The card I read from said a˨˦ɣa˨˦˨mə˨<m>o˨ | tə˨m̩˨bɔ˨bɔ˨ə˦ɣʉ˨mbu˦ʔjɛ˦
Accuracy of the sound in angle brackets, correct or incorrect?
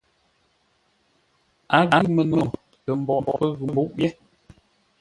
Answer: incorrect: n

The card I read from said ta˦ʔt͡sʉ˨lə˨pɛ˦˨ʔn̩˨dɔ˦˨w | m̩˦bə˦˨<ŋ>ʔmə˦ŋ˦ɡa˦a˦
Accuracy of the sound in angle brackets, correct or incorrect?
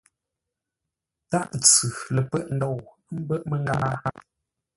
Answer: incorrect: none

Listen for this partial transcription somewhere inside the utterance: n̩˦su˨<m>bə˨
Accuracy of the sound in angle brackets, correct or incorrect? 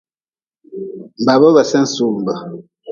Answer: correct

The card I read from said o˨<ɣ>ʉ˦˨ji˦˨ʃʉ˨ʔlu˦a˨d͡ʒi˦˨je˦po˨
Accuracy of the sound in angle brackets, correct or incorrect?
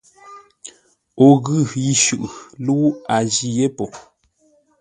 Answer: correct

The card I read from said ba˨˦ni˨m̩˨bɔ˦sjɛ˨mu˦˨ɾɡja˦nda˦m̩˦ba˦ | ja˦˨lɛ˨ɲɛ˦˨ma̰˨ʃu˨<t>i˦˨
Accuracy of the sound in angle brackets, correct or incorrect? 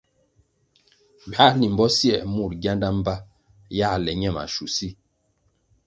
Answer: incorrect: s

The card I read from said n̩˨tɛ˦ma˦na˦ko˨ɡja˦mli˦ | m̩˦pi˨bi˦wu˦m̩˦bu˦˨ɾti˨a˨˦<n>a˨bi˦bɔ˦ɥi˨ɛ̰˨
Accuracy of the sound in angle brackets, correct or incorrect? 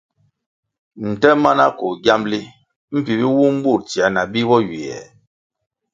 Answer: correct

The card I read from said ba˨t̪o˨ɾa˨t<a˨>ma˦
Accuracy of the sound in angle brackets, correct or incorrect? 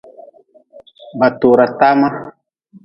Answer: incorrect: a˦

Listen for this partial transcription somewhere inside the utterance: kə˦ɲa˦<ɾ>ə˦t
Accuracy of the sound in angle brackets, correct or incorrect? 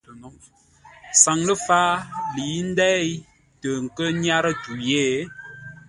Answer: correct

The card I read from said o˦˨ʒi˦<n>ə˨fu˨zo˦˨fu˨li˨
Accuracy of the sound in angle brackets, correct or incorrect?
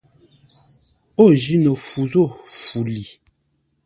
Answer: correct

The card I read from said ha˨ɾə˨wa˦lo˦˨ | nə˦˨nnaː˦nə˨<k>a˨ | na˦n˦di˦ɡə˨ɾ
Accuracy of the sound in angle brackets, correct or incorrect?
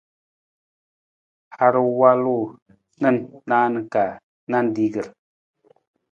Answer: correct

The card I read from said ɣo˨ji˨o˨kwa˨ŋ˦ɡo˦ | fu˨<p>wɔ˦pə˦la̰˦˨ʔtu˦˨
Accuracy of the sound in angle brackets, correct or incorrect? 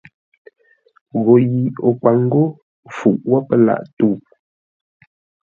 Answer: incorrect: ʔ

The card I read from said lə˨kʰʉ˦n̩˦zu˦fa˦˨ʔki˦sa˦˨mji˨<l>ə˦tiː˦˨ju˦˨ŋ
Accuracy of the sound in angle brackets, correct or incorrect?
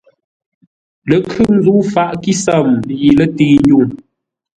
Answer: correct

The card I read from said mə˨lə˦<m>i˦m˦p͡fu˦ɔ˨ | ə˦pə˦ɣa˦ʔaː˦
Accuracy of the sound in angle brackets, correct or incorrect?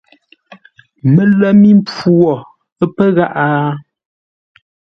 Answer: correct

